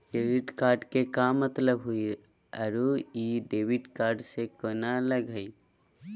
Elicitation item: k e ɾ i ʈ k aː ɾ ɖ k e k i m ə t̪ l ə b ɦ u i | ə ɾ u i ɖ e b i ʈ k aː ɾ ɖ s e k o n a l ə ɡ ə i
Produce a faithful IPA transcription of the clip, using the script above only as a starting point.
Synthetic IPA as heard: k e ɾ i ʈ k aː ɾ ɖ k e k a m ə t̪ l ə b ɦ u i | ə ɾ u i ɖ e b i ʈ k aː ɾ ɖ s e k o n a l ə ɡ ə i

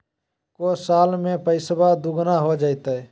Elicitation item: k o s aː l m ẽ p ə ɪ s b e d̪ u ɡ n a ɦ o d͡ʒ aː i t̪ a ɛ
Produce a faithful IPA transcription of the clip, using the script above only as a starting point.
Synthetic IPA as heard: k o s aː l m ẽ p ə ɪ s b a d̪ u ɡ n a ɦ o d͡ʒ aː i t̪ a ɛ

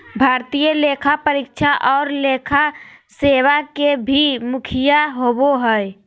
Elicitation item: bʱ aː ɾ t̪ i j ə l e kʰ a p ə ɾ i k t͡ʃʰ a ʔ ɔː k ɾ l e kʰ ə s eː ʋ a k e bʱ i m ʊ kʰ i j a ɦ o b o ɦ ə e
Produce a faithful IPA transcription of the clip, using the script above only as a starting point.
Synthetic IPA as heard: bʱ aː ɾ t̪ i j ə l e kʰ a p ə ɾ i k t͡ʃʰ a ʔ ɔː ɾ l e kʰ a s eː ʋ a k e bʱ i m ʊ kʰ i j a ɦ o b o ɦ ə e

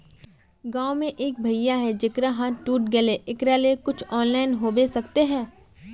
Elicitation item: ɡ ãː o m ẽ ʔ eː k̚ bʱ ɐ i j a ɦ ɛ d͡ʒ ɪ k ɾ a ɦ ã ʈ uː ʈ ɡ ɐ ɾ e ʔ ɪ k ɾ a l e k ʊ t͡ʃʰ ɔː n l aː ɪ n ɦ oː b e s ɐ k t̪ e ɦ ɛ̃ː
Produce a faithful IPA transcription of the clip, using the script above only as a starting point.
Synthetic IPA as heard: ɡ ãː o m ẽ ʔ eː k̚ bʱ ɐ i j a ɦ ɛ d͡ʒ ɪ k ɾ a ɦ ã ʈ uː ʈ ɡ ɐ l e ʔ ɪ k ɾ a l e k ʊ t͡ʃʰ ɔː n l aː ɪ n ɦ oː b e s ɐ k t̪ e ɦ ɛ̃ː

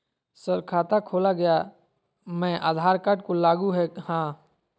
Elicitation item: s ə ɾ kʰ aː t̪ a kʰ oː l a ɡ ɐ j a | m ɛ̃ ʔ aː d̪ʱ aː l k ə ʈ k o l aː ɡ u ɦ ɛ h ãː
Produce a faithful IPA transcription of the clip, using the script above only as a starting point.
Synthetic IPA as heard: s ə ɾ kʰ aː t̪ a kʰ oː l a ɡ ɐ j a | m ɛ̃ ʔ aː d̪ʱ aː ɾ k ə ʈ k o l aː ɡ u ɦ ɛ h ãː

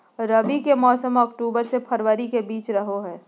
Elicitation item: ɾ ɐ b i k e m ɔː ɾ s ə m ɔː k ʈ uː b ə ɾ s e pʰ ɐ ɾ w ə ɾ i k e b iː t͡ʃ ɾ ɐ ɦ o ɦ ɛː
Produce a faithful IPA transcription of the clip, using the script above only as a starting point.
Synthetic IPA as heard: ɾ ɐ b i k e m ɔː s ə m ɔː k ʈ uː b ə ɾ s e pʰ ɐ ɾ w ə ɾ i k e b iː t͡ʃ ɾ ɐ ɦ o ɦ ɛː

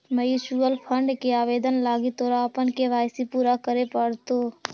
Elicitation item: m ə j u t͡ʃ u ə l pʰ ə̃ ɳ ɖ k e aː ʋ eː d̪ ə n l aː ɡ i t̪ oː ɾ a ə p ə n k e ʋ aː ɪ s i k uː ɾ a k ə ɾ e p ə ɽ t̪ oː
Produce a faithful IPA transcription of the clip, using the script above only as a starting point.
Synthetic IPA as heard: m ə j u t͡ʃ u ə l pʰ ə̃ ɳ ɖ k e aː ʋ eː d̪ ə n l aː ɡ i t̪ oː ɾ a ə p ə n k e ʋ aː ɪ s i p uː ɾ a k ə ɾ e p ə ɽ t̪ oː

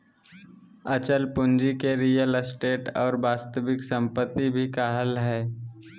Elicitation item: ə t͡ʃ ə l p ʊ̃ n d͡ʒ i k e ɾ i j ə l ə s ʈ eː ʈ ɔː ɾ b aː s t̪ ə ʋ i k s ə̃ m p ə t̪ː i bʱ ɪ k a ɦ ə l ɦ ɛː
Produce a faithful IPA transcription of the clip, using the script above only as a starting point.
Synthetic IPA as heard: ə t͡ʃ ə l p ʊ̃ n d͡ʒ i k e ɾ i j ə l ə s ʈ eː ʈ ɔː ɾ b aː s t̪ ə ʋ ɪ k s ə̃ m p ə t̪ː i bʱ i k a ɦ ə l ɦ ɛː

